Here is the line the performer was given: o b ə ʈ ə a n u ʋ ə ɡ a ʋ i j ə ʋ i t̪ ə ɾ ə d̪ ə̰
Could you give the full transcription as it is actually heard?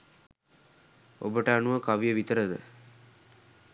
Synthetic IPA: o b ə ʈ ə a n u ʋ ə k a ʋ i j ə ʋ i t̪ ə ɾ ə d̪ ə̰

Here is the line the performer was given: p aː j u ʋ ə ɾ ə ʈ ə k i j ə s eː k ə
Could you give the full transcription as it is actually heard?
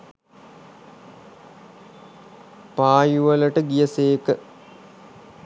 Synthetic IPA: p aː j u ʋ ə l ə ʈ ə ɡ i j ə s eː k ə

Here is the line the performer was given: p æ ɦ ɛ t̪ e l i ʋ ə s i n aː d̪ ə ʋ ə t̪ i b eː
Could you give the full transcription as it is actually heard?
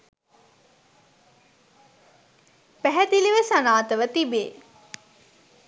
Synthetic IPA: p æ ɦ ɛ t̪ i l i ʋ ə s a n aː t̪ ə ʋ ə t̪ i b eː

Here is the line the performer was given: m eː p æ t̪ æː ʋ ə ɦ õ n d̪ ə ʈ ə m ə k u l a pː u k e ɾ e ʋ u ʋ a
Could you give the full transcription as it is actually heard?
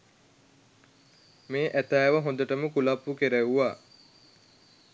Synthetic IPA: m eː ʔ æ t̪ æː ʋ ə ɦ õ n d̪ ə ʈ ə m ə k u l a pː u k e ɾ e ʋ u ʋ a

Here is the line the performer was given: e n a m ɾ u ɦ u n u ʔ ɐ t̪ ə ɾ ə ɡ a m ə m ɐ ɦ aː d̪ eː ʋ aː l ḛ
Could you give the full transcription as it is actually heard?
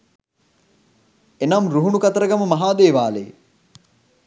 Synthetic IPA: e n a m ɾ u ɦ u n u k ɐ t̪ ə ɾ ə ɡ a m ə m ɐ ɦ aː d̪ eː ʋ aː l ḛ

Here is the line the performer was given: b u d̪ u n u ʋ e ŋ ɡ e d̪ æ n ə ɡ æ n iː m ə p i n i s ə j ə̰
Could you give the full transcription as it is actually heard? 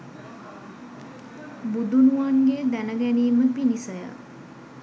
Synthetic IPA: b u d̪ u n u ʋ a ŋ ɡ e d̪ æ n ə ɡ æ n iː m ə p i n i s ə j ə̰

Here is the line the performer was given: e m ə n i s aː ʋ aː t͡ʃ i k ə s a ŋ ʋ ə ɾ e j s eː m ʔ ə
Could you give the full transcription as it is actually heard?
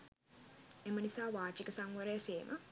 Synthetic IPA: e m ə n i s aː ʋ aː t͡ʃ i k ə s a ŋ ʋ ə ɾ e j s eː m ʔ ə

